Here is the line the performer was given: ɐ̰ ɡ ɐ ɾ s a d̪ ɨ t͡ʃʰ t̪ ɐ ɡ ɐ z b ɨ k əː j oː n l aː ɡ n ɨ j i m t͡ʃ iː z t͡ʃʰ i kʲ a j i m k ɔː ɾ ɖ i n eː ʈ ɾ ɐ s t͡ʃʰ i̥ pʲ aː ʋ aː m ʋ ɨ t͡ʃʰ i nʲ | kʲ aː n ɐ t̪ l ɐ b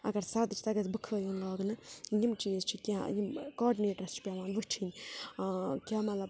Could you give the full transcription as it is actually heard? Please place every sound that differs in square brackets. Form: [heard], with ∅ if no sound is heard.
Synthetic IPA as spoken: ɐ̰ ɡ ɐ ɾ s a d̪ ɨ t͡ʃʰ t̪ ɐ ɡ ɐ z b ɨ [kʰ] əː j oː n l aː ɡ n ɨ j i m t͡ʃ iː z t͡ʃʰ i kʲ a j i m k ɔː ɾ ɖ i n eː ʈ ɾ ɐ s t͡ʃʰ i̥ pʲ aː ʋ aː [n] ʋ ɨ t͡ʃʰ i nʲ | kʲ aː [m] ɐ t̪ l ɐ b